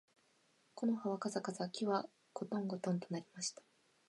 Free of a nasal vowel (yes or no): no